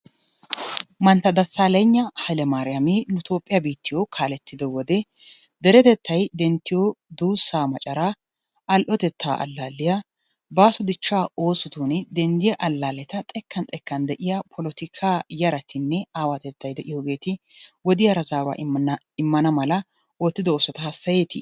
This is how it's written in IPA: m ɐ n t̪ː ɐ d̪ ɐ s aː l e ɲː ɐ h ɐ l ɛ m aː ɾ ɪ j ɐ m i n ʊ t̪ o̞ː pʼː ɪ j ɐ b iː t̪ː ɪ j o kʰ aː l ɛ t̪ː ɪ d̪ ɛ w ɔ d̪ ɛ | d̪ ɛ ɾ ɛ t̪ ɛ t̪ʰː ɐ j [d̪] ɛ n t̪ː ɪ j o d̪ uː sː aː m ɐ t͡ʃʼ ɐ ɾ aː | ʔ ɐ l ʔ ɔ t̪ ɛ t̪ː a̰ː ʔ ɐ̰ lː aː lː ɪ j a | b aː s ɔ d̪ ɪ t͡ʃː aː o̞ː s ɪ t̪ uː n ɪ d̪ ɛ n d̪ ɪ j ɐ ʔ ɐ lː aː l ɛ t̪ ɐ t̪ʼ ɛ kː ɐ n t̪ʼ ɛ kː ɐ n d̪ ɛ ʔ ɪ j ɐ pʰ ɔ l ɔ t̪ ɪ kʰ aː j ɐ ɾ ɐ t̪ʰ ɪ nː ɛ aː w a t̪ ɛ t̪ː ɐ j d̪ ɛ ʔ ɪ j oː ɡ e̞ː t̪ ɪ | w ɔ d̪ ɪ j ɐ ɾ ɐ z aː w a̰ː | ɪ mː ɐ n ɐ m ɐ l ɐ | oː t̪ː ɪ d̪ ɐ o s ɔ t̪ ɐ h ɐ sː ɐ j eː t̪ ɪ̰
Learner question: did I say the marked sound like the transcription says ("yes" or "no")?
yes